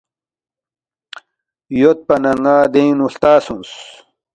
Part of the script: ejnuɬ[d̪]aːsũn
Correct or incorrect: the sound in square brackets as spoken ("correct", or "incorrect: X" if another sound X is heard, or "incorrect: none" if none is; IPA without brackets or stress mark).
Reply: incorrect: t̪